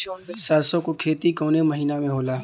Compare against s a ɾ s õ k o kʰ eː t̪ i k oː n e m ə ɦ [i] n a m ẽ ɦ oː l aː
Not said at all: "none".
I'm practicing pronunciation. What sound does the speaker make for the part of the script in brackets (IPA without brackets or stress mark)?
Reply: iː